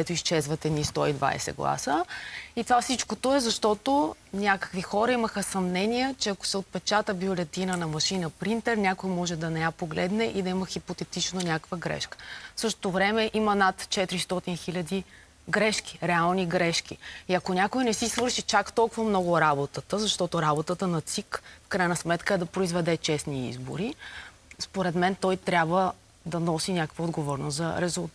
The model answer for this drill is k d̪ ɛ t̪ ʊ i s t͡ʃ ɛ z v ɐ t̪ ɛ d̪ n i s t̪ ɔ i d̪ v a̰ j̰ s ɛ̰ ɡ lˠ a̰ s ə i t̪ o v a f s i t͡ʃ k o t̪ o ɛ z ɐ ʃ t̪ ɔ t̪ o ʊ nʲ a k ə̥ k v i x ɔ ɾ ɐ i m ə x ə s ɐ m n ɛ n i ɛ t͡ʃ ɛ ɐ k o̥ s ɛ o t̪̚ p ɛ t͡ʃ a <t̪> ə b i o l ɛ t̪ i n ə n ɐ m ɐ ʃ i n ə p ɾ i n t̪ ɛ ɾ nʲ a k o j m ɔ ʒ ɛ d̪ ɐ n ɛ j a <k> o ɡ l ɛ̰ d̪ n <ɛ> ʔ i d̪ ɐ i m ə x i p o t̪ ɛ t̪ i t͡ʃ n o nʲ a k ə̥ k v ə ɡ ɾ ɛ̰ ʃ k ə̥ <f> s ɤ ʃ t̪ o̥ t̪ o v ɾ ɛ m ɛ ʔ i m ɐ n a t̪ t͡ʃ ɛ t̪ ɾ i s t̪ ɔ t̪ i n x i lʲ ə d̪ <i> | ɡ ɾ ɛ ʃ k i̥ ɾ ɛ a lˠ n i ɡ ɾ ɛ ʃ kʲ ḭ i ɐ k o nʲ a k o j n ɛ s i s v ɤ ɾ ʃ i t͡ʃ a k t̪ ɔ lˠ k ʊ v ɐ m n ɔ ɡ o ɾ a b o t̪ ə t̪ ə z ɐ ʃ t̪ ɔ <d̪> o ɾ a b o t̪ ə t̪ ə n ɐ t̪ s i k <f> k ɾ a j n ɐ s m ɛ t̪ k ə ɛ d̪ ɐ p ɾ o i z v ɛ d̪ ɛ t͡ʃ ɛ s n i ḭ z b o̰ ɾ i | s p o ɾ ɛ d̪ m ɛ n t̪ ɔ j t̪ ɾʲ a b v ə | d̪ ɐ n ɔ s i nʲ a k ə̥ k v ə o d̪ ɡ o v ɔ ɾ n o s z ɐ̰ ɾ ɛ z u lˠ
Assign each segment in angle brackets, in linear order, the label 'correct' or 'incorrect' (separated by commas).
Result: correct, incorrect, correct, correct, correct, incorrect, correct